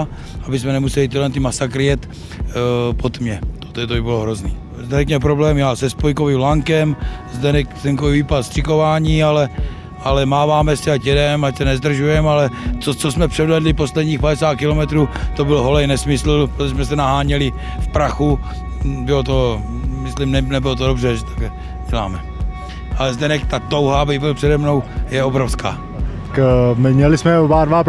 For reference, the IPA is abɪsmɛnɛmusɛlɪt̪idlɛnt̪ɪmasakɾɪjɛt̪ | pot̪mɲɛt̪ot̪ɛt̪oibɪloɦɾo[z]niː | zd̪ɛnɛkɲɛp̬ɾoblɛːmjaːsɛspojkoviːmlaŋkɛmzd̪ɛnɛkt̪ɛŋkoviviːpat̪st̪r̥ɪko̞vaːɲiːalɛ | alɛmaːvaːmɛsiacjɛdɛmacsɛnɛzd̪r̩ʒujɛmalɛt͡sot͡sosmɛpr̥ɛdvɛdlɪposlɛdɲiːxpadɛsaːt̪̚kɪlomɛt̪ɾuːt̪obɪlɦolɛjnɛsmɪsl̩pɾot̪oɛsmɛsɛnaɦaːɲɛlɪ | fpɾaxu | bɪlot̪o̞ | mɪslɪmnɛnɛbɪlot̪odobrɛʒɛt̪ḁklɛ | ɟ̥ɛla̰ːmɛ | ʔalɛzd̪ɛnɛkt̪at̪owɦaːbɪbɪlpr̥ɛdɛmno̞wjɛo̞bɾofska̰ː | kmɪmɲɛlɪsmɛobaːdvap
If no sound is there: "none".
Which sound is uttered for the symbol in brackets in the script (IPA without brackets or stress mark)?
z